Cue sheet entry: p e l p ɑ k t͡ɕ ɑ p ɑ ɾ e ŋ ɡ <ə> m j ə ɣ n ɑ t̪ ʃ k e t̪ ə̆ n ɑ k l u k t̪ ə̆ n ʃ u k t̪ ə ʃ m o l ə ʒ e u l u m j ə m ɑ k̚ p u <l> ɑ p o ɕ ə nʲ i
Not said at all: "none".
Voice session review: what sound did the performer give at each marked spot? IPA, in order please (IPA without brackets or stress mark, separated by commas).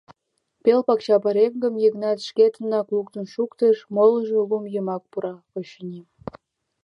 ə, ɾ